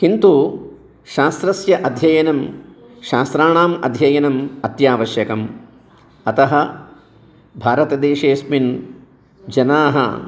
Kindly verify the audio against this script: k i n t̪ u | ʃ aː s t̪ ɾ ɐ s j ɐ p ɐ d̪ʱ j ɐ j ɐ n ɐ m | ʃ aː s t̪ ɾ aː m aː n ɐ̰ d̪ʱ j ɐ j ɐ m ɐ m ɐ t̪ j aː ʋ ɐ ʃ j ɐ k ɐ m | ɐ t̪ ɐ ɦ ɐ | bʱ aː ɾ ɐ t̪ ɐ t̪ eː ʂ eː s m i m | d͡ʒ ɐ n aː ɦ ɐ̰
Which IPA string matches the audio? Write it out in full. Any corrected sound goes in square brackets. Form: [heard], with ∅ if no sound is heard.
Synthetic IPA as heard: k i n t̪ u | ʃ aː s t̪ ɾ ɐ s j ɐ [ʔ] ɐ d̪ʱ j ɐ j ɐ n ɐ m | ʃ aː s t̪ ɾ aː [ɳ] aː [m] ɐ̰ d̪ʱ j ɐ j ɐ [n] ɐ m ɐ t̪ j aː ʋ ɐ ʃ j ɐ k ɐ m | ɐ t̪ ɐ ɦ ɐ | bʱ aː ɾ ɐ t̪ ɐ [d̪] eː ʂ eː s m i [n] | d͡ʒ ɐ n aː ɦ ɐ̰